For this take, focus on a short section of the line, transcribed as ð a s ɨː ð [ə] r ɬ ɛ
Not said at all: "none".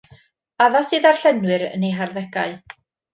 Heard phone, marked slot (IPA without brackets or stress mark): a